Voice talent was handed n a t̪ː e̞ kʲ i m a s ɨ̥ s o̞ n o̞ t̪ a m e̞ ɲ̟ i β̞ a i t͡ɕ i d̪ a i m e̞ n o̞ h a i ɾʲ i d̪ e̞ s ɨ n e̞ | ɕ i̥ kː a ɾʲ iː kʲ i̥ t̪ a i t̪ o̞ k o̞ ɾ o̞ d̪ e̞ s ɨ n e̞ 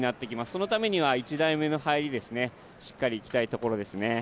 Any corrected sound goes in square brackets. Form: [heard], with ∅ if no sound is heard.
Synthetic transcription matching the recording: n a t̪ː e̞ kʲ i m a s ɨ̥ s o̞ n o̞ t̪ a m e̞ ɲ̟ i β̞ a i t͡ɕ i d̪ a i m e̞ n o̞ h a i ɾʲ i d̪ e̞ s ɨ n e̞ | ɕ i̥ kː a ɾʲ iː kʲ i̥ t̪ a i t̪ o̞ k o̞ ɾ o̞ d̪ e̞ s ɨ n e̞